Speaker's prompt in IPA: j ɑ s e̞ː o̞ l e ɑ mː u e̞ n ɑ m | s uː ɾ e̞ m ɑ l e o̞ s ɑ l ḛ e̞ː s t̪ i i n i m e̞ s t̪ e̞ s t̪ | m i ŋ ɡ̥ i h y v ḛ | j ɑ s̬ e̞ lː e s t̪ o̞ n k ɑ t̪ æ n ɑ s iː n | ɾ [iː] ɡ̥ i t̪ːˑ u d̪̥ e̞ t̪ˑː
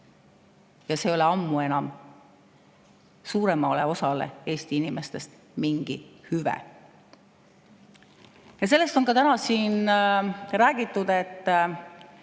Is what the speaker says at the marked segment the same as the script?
no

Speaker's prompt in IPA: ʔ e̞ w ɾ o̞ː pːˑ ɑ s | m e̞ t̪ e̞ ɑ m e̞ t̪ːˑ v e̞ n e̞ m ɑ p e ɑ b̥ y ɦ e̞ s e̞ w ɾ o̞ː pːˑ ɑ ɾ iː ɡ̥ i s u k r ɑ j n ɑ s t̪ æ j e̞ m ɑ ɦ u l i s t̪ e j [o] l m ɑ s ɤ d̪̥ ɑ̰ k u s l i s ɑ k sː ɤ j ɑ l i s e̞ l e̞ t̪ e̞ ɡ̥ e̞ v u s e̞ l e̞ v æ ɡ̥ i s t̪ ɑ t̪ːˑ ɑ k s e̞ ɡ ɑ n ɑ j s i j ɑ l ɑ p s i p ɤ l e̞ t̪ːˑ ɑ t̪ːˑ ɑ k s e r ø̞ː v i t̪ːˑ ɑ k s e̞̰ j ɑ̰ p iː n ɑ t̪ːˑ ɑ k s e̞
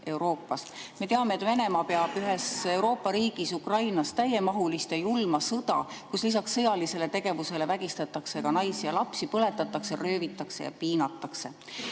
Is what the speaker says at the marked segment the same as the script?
no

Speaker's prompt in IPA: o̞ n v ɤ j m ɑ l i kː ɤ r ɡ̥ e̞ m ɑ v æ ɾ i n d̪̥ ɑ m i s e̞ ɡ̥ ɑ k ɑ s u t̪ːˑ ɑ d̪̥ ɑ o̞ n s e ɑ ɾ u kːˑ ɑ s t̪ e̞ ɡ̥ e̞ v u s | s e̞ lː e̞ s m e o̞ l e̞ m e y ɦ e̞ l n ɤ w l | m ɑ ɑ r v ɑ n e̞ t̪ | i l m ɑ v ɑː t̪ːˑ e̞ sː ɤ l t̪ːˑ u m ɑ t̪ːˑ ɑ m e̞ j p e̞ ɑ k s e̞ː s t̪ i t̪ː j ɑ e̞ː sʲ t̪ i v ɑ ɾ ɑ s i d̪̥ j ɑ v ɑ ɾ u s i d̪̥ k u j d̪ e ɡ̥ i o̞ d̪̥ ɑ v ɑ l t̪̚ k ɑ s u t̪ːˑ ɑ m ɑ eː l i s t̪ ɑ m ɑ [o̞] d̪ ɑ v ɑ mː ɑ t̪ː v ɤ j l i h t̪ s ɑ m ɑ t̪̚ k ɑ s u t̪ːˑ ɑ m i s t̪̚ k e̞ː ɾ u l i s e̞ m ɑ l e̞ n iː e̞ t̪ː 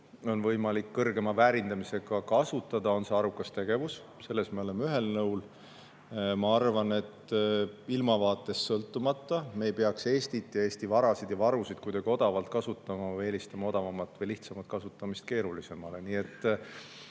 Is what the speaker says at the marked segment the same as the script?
yes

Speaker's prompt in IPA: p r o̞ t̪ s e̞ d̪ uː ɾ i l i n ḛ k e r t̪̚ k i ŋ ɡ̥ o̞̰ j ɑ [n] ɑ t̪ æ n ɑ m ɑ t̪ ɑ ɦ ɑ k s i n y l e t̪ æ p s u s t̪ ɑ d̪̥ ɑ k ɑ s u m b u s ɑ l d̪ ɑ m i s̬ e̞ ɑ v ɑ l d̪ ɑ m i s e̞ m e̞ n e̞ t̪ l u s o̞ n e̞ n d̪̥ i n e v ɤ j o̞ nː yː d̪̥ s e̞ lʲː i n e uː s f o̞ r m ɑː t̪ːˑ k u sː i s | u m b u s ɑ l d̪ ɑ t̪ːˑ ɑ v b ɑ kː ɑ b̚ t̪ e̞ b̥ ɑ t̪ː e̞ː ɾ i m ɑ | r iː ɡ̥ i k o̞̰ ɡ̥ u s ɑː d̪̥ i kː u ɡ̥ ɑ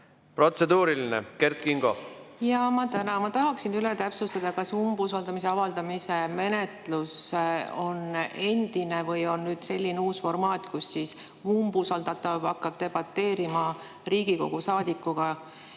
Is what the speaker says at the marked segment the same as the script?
no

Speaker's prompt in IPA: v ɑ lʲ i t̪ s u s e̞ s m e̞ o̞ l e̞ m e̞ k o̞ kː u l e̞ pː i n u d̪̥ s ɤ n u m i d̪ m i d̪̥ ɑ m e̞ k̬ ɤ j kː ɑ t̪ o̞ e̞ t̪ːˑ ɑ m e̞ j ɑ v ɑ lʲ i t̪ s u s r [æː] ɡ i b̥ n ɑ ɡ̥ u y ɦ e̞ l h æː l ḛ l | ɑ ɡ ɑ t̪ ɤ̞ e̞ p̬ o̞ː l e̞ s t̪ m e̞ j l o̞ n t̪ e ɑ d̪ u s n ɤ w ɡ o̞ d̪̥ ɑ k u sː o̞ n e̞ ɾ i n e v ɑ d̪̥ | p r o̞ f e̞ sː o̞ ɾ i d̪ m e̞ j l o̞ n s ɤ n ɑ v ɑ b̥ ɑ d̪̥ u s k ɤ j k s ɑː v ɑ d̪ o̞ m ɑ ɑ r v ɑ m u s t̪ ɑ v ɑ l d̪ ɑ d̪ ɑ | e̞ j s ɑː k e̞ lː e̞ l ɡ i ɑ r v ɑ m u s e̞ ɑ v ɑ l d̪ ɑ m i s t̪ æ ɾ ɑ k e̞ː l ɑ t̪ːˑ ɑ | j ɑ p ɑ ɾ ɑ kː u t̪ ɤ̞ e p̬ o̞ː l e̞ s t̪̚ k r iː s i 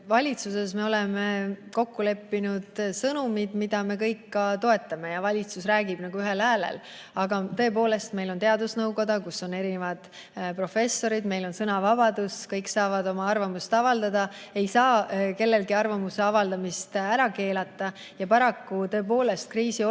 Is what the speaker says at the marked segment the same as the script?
yes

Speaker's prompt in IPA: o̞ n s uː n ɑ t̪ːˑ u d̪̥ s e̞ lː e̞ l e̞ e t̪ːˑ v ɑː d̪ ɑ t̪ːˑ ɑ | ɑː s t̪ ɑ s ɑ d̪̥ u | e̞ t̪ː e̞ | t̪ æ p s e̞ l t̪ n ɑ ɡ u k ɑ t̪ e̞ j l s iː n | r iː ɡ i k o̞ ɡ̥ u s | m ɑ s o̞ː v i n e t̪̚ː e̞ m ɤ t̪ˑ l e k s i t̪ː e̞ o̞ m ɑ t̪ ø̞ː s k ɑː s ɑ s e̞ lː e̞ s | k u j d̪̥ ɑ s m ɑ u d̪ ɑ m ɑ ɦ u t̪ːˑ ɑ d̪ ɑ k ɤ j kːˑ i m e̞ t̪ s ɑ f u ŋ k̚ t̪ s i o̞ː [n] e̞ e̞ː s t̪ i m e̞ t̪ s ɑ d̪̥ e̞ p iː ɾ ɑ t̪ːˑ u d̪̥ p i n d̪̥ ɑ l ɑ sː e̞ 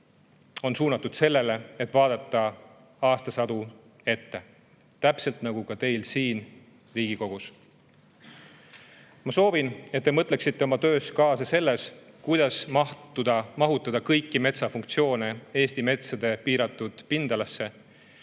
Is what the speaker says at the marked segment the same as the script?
yes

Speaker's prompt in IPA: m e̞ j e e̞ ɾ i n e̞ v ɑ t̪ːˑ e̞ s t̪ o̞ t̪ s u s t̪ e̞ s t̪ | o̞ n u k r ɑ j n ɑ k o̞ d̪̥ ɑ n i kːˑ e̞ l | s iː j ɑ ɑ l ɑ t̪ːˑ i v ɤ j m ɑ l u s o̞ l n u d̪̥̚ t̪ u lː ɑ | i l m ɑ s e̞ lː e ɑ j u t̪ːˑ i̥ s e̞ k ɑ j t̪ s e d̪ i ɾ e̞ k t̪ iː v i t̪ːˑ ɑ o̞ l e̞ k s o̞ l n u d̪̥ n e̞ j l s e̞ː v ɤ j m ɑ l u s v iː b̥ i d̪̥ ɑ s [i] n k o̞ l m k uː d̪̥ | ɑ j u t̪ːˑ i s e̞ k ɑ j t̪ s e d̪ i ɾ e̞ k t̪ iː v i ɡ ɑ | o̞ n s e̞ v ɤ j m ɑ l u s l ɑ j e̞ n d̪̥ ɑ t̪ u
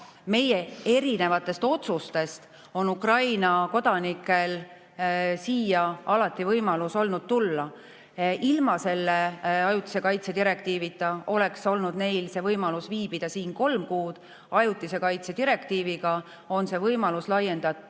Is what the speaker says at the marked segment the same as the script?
no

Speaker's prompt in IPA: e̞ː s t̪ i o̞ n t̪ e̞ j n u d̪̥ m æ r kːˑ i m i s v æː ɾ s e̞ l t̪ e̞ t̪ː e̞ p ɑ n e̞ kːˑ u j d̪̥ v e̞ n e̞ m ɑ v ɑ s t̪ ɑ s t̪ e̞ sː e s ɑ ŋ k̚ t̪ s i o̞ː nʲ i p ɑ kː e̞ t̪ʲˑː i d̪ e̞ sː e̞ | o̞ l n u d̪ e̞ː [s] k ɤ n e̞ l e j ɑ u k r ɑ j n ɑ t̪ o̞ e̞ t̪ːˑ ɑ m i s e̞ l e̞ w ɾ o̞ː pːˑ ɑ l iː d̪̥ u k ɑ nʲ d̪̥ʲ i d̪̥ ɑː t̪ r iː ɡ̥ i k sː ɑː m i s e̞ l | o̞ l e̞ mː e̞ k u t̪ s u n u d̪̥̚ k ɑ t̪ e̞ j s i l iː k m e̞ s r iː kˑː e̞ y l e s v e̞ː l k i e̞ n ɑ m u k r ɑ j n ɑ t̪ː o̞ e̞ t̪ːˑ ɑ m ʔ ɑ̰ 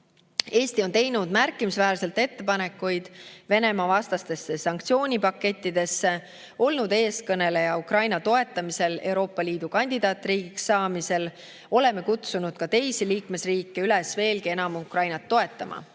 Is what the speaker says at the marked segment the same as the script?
yes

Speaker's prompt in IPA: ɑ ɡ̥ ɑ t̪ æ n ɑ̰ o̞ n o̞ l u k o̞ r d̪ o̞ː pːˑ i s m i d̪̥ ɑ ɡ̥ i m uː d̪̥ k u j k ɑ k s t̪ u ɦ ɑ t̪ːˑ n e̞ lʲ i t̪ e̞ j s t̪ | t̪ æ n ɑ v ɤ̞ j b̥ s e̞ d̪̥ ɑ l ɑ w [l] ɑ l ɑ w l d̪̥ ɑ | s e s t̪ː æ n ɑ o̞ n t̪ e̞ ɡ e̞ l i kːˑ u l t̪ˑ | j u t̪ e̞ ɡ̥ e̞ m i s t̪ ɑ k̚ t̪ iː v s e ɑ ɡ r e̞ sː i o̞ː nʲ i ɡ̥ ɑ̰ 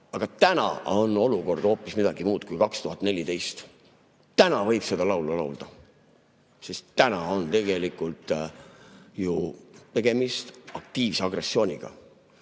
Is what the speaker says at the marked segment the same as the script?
yes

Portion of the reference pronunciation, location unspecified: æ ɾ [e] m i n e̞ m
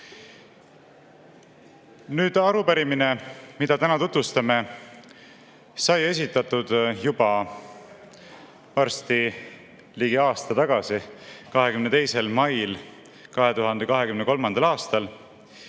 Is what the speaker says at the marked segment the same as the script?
no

